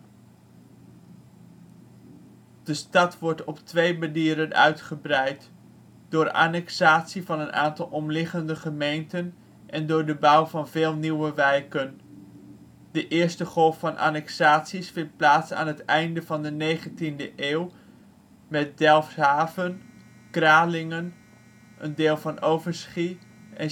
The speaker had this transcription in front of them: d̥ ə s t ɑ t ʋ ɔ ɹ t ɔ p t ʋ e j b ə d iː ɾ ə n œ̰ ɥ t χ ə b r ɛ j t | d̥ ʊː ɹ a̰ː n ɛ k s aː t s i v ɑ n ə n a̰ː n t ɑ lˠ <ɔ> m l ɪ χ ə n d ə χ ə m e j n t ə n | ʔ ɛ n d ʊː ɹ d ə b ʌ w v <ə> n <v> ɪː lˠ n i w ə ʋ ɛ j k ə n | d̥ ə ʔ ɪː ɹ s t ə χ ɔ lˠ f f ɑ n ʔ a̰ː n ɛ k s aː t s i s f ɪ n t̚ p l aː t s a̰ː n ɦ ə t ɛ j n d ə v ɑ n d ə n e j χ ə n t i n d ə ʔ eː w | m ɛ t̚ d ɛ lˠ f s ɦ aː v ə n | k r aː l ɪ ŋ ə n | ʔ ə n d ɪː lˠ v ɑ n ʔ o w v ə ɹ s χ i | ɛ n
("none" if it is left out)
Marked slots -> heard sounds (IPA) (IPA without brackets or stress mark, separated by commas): ɔ, ɑ, v